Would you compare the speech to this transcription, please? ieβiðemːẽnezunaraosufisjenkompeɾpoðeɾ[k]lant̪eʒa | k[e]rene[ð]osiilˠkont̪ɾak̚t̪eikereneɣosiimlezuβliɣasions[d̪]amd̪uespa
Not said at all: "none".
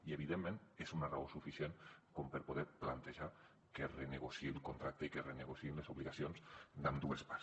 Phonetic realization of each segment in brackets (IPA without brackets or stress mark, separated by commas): p, e, ɣ, d̪